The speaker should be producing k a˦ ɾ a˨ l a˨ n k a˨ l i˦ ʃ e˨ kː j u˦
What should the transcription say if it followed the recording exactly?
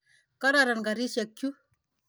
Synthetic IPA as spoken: k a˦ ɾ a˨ ɾ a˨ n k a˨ ɾ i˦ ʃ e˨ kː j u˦